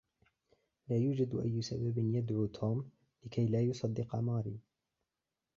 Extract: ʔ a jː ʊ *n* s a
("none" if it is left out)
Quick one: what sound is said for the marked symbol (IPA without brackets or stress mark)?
none